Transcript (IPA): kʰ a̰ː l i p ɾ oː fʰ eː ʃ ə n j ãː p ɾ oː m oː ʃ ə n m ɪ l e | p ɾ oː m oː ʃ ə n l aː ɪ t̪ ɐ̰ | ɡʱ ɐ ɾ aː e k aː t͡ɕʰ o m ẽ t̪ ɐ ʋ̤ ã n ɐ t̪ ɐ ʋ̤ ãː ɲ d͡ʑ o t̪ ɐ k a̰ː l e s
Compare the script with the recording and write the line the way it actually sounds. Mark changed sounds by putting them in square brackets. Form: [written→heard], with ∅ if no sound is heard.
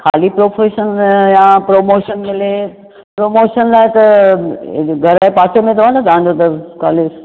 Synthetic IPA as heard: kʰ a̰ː l i p ɾ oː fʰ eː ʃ ə n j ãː p ɾ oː m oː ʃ ə n m ɪ l e | p ɾ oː m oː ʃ ə n l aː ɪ t̪ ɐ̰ | ɡʱ ɐ ɾ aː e [k→p] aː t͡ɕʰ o m ẽ t̪ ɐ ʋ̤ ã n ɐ t̪ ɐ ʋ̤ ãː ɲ d͡ʑ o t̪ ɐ k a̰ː l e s

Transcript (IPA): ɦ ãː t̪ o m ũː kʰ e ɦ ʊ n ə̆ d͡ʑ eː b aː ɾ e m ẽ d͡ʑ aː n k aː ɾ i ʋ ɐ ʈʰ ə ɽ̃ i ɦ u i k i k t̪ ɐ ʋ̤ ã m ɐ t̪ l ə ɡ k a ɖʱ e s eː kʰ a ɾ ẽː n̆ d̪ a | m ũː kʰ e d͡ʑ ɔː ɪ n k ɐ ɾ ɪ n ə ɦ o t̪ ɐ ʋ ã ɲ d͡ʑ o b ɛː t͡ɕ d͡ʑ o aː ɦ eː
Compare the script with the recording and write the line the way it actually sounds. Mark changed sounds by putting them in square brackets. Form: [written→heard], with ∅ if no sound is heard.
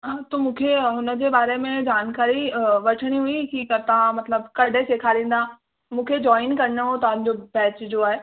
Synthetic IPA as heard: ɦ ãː t̪ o m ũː kʰ e ɦ ʊ n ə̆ d͡ʑ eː b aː ɾ e m ẽ d͡ʑ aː n k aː ɾ i ʋ ɐ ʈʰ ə ɽ̃ i ɦ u i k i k t̪ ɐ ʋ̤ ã m ɐ t̪ l ə [ɡ→b] k [a→ɐ] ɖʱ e s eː kʰ a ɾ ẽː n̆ d̪ a | m ũː kʰ e d͡ʑ ɔː ɪ n k ɐ ɾ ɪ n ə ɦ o t̪ ɐ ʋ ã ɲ d͡ʑ o b ɛː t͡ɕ d͡ʑ o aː ɦ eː

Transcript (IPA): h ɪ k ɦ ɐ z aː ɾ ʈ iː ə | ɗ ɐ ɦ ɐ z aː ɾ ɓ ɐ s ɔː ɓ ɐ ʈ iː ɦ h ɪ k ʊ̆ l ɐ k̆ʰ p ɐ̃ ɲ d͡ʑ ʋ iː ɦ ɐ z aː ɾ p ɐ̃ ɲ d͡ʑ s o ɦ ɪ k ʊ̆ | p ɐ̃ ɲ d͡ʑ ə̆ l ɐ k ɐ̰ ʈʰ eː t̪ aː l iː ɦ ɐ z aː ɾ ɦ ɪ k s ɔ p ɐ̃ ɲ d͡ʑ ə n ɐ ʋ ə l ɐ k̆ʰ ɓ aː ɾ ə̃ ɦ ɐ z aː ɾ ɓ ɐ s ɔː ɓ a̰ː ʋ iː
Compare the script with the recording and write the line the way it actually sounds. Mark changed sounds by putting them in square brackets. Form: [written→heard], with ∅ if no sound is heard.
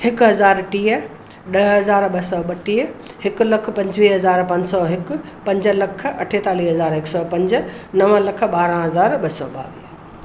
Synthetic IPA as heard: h ɪ k ɦ ɐ z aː ɾ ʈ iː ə | ɗ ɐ ɦ ɐ z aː ɾ ɓ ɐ s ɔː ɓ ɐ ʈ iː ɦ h ɪ k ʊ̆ l ɐ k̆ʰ p ɐ̃ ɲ d͡ʑ ʋ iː ɦ ɐ z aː ɾ p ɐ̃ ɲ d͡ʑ s [o→ɔ] ɦ ɪ k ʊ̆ | p ɐ̃ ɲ d͡ʑ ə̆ l ɐ [k→kʰ] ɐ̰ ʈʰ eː t̪ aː l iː ɦ ɐ z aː ɾ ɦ ɪ k s ɔ p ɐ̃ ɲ d͡ʑ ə n ɐ ʋ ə l ɐ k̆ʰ ɓ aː ɾ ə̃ ɦ ɐ z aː ɾ ɓ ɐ s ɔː ɓ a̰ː ʋ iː

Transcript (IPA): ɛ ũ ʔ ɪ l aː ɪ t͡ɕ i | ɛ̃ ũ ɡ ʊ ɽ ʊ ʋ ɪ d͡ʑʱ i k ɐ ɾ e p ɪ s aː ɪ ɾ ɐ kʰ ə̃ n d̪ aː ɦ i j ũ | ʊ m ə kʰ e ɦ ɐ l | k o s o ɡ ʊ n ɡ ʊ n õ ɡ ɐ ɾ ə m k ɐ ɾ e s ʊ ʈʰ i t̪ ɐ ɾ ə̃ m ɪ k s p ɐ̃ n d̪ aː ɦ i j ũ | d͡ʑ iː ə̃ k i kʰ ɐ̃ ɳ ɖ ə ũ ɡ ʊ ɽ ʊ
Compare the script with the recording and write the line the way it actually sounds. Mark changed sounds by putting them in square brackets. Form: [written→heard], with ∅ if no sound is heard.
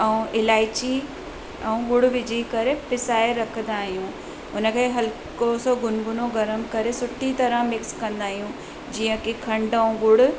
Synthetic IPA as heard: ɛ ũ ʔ ɪ l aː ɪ t͡ɕ i | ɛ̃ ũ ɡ ʊ ɽ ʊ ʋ ɪ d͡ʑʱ i k ɐ ɾ e p ɪ s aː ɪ ɾ ɐ kʰ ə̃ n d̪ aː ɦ i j ũ | ʊ [m→n] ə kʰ e ɦ ɐ l | k o s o ɡ ʊ n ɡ ʊ n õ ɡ ɐ ɾ ə m k ɐ ɾ e s ʊ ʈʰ i t̪ ɐ ɾ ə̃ m ɪ k s [p→k] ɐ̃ n d̪ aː ɦ i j ũ | d͡ʑ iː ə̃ k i kʰ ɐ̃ ɳ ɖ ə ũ ɡ ʊ ɽ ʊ

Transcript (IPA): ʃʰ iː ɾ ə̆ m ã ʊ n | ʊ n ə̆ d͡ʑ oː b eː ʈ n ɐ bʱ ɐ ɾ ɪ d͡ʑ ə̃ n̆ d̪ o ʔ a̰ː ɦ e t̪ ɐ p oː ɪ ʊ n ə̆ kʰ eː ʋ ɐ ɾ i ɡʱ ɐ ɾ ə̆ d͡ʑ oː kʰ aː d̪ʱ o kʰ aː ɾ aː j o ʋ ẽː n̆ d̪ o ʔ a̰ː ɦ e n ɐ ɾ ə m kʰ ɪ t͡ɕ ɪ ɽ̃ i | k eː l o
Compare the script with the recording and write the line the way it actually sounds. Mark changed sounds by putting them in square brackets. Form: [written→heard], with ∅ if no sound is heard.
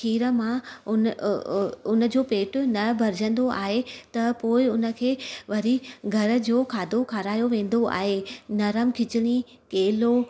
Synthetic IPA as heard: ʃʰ iː ɾ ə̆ m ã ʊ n | ʊ n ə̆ d͡ʑ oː [b→p] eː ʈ n ɐ bʱ ɐ ɾ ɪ d͡ʑ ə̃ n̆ d̪ o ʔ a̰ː ɦ e t̪ ɐ p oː ɪ ʊ n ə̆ kʰ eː ʋ ɐ ɾ i ɡʱ ɐ ɾ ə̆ d͡ʑ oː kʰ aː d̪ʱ o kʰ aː ɾ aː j o ʋ ẽː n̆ d̪ o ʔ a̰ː ɦ e n ɐ ɾ ə m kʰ ɪ t͡ɕ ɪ ɽ̃ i | k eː l o

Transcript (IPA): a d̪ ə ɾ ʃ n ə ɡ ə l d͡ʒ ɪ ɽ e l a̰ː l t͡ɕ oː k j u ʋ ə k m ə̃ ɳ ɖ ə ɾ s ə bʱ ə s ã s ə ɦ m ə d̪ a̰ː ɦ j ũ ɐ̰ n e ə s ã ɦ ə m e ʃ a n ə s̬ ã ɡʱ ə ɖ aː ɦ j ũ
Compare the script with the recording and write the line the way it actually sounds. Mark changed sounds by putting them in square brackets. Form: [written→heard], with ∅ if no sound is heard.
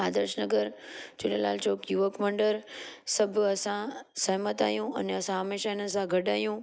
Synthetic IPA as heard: a d̪ ə ɾ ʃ n ə ɡ ə [l→ɾ] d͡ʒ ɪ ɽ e l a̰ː l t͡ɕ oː k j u ʋ ə k m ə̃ ɳ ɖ ə ɾ s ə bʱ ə s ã s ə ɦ m ə [d̪→t̪] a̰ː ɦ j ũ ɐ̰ n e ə s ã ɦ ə m e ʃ a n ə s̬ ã ɡʱ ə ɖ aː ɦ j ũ

